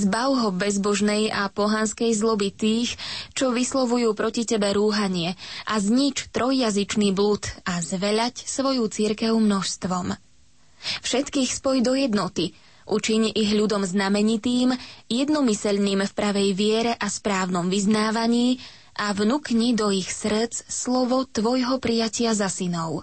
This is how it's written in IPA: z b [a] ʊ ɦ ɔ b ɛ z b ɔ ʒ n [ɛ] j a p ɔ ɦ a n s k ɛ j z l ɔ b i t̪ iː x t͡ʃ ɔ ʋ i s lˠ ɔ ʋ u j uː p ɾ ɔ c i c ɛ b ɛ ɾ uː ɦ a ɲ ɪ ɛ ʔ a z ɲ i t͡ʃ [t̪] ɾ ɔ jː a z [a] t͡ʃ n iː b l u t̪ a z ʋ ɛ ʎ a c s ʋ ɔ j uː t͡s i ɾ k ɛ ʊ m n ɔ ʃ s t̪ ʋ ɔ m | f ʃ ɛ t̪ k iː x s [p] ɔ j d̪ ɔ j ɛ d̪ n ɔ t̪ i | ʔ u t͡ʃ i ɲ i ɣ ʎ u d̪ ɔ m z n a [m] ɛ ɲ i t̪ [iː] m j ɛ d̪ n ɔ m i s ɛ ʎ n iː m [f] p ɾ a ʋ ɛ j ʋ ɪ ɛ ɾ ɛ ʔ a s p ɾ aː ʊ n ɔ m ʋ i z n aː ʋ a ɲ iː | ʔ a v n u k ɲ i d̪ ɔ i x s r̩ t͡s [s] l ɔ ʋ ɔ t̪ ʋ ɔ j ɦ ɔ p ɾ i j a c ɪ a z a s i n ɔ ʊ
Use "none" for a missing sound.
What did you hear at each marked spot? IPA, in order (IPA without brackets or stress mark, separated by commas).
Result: a, ɛ, t̪, i, p, m, iː, f, s